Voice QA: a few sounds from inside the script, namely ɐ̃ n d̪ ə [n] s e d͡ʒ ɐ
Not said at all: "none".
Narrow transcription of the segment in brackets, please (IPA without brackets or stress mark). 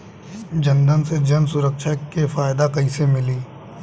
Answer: n